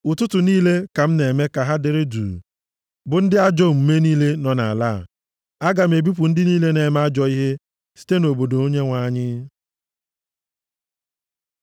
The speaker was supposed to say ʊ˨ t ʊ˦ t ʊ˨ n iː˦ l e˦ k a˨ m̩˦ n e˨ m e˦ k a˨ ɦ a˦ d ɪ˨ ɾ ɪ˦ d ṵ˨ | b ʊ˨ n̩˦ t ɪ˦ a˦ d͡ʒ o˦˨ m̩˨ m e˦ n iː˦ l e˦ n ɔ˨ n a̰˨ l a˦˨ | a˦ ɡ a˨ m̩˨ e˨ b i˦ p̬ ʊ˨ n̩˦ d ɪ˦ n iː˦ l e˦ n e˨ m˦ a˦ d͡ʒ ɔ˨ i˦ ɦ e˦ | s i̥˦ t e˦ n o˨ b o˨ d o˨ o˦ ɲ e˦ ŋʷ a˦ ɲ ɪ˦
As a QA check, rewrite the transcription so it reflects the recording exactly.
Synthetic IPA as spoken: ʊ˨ t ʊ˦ t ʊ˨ n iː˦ l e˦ k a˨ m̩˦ n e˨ m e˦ k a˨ ɦ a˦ d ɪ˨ ɾ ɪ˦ d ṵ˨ | b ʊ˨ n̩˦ d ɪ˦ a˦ d͡ʒ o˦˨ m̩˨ m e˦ n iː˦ l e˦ n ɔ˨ n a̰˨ l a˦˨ | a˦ ɡ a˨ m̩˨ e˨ b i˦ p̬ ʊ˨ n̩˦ d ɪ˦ n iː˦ l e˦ n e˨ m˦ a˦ d͡ʒ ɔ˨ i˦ ɦ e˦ | s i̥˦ t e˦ n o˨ b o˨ d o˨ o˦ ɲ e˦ ŋʷ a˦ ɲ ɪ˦